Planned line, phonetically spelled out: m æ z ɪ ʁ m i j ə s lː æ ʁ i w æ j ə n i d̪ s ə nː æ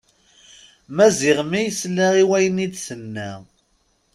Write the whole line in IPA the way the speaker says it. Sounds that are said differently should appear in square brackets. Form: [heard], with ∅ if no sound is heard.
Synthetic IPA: m æ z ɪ ʁ m i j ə s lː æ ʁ i w æ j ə n i d̪ s ə nː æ